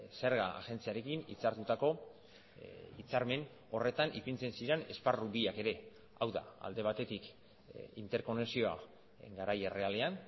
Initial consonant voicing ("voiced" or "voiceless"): voiceless